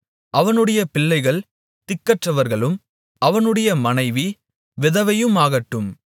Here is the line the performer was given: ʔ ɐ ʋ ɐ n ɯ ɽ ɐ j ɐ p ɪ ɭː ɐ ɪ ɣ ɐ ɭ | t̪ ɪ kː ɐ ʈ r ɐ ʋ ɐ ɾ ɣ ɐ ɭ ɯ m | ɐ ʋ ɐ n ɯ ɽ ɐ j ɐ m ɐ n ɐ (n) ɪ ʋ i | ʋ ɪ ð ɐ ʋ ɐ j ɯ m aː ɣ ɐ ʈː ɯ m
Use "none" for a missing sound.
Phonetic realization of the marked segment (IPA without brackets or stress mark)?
none